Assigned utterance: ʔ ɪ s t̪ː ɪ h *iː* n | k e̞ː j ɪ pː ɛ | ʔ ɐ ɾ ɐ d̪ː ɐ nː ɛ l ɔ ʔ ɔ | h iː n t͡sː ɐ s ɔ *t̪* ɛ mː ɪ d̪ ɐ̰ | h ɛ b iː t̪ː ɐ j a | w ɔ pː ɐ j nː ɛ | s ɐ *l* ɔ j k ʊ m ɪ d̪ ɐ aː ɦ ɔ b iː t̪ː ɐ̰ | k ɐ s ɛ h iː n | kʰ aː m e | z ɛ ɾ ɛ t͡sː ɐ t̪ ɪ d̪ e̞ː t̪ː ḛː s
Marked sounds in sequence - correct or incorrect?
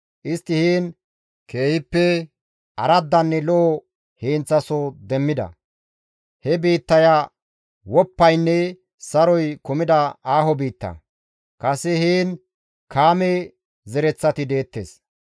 correct, incorrect: d̪, incorrect: ɾ

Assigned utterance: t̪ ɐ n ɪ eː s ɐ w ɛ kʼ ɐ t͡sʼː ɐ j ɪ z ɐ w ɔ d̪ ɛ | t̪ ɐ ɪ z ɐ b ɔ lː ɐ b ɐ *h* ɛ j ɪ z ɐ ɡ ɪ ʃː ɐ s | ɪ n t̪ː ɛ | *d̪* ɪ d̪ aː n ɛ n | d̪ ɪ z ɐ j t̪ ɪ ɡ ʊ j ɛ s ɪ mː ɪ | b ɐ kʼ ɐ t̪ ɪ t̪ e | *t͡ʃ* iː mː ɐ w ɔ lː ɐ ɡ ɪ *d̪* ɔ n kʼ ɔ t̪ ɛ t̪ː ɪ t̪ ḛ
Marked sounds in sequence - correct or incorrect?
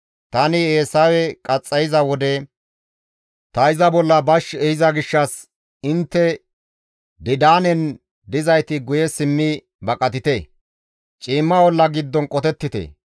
incorrect: ʃ, correct, incorrect: t͡ʃʼ, incorrect: d̪ː

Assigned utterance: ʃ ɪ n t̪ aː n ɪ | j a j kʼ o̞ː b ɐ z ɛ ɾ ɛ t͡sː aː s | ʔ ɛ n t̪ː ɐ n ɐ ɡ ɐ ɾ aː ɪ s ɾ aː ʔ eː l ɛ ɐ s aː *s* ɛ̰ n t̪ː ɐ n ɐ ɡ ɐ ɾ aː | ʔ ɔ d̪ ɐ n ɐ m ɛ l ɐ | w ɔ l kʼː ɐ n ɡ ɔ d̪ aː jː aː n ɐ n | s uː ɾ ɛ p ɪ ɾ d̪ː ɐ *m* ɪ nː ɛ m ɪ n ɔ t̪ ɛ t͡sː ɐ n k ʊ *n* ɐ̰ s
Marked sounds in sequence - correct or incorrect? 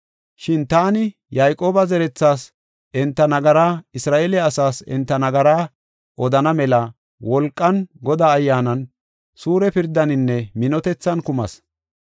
correct, incorrect: n, incorrect: m

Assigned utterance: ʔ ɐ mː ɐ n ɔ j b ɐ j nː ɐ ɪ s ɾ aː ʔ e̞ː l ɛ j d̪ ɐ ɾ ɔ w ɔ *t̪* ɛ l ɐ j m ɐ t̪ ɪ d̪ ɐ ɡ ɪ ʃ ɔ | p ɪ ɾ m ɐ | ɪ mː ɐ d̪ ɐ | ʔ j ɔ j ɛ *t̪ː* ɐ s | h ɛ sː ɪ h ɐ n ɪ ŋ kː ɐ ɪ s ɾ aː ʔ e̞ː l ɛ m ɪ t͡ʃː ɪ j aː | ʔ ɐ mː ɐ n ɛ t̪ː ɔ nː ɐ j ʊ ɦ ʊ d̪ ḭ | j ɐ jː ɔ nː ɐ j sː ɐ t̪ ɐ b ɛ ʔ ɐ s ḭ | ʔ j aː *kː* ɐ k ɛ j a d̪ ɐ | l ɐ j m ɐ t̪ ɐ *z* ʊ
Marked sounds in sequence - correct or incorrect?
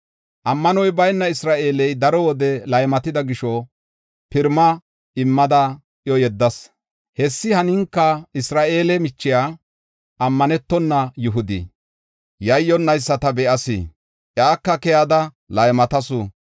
incorrect: d̪, incorrect: d̪ː, correct, incorrect: s

